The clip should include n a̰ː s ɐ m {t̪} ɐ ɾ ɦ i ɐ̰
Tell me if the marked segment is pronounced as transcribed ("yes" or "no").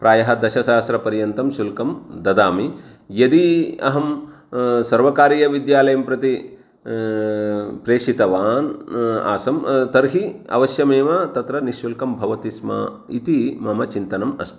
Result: yes